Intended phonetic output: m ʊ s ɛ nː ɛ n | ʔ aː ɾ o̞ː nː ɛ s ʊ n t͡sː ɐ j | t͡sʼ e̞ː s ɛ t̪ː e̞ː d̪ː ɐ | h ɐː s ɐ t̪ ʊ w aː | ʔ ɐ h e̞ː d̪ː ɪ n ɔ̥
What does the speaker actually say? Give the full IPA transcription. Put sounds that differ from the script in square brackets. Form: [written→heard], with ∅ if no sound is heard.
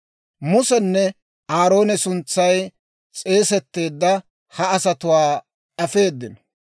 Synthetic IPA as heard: m ʊ s ɛ nː ɛ [n→∅] | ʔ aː ɾ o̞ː [nː→n] ɛ s ʊ n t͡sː ɐ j | t͡sʼ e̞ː s ɛ t̪ː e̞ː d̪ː ɐ | h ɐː s ɐ t̪ ʊ w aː | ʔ ɐ [h→f] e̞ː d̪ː ɪ n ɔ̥